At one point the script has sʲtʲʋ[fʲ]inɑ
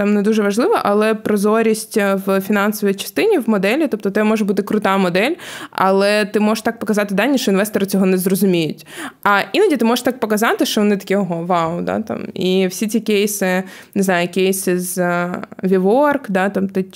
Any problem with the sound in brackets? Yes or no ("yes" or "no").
no